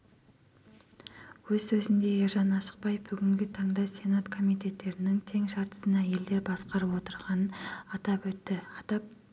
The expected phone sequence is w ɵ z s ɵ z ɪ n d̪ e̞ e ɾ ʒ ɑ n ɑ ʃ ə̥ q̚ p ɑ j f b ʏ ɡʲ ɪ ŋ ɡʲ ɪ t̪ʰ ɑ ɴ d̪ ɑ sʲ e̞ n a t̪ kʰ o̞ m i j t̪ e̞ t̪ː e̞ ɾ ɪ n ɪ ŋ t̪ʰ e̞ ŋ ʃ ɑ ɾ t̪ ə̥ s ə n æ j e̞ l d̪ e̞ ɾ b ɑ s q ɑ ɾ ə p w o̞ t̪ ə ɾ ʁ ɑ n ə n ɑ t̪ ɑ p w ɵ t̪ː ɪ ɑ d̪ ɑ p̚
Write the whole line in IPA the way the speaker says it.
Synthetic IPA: w ɵ z s ɵ z ɪ n d̪ e̞ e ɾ ʒ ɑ n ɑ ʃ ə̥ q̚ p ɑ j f b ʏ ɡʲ ɪ ŋ ɡʲ ɪ t̪ʰ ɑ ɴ d̪ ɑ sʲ e̞ n a t̪ kʰ o̞ m i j t̪ e̞ t̪ː e̞ ɾ ɪ n ɪ ŋ t̪ʰ e̞ ŋ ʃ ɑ ɾ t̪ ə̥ s ə n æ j e̞ l d̪ e̞ ɾ b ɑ s q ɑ ɾ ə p w o̞ t̪ ə ɾ ʁ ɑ n ə n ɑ t̪ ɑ p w ɵ t̪ː ɪ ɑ t̪ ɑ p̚